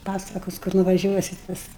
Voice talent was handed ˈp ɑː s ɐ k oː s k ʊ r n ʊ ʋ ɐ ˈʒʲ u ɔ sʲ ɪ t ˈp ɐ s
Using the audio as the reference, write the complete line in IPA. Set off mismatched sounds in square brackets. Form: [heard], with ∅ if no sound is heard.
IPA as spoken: ˈp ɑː s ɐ k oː s k ʊ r n ʊ ʋ ɐ ˈʒʲ u ɔ sʲ ɪ t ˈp ɐ s